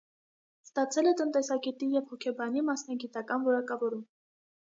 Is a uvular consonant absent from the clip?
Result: yes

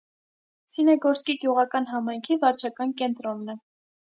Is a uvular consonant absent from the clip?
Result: no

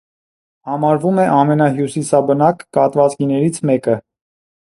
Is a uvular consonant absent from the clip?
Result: yes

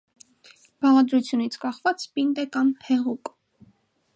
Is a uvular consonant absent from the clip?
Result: no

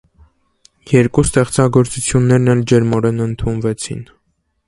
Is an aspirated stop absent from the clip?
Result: no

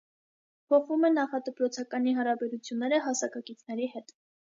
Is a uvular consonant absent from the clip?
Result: no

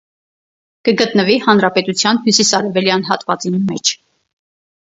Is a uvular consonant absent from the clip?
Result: yes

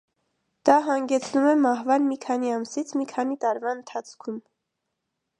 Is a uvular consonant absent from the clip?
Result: yes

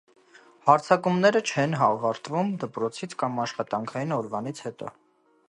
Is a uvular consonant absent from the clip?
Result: no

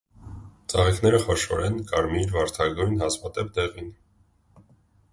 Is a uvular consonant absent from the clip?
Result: no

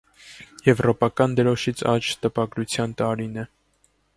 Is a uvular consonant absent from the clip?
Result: yes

